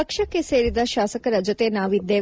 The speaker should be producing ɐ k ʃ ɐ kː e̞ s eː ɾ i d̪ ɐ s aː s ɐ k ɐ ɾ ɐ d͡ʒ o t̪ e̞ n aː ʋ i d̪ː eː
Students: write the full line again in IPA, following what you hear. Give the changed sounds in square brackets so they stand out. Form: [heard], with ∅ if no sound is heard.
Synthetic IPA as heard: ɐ k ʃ ɐ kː e̞ s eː ɾ i d̪ ɐ [ʃ] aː s ɐ k ɐ ɾ ɐ d͡ʒ o t̪ e̞ n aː ʋ i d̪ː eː